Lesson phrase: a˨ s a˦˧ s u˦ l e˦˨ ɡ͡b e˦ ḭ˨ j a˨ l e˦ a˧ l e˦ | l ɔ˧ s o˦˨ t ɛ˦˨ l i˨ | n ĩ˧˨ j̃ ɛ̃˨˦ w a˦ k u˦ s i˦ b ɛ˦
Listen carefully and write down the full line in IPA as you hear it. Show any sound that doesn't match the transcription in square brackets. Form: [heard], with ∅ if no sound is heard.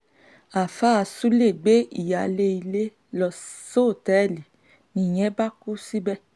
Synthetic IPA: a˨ [f] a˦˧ s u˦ l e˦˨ ɡ͡b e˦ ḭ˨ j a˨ l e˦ [i˧] l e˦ | l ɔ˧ s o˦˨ t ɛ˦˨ l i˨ | n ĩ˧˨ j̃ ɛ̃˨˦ [b] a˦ k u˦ s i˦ b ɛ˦